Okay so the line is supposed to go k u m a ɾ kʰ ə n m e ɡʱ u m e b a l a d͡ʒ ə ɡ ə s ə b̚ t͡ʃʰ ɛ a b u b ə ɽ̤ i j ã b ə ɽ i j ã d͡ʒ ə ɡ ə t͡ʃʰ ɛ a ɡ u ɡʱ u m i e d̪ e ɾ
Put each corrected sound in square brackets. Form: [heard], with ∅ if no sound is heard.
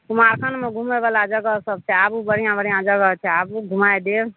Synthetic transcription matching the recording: k u m a ɾ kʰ ə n m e ɡʱ u m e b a l a d͡ʒ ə ɡ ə s ə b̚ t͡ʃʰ ɛ a b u b ə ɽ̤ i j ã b ə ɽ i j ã d͡ʒ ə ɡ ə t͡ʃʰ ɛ a [b] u ɡʱ u m [a] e d̪ e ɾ